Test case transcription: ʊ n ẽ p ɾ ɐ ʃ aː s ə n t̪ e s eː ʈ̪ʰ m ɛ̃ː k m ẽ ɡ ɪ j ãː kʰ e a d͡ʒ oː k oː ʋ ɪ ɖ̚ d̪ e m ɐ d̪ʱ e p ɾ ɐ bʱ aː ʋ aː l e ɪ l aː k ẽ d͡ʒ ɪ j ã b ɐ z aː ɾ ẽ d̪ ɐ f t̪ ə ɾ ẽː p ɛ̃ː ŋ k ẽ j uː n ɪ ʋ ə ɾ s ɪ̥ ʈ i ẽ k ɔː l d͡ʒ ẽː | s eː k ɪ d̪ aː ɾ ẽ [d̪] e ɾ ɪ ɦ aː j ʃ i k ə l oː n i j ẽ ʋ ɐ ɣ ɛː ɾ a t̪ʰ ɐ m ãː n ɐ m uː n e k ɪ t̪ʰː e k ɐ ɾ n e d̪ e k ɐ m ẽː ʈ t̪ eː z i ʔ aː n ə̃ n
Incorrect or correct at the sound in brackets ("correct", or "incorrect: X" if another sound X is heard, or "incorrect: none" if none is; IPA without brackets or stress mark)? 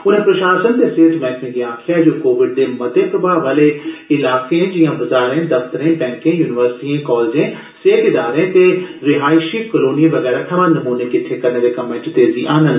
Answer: incorrect: t̪